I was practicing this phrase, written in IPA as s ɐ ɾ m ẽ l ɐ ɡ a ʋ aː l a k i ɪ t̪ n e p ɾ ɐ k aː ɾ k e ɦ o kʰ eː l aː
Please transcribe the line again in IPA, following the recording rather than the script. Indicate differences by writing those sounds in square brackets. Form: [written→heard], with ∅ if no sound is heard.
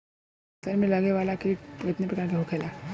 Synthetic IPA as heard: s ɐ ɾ m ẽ l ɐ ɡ [a→e] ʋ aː l a k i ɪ t̪ n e p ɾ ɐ k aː ɾ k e ɦ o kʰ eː l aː